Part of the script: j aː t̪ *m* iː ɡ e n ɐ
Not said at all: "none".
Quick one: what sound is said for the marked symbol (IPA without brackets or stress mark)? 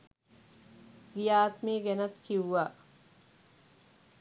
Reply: m